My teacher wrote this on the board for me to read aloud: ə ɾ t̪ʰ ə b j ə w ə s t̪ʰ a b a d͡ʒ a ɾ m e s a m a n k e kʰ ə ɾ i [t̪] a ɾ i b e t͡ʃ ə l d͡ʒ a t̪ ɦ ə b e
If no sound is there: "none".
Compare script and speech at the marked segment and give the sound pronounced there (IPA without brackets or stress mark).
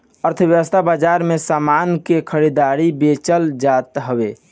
d̪